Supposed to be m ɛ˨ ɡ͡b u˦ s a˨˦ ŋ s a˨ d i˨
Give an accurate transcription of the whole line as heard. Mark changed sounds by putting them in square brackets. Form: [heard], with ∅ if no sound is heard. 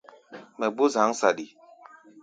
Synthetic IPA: m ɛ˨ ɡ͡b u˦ [z] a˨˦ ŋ s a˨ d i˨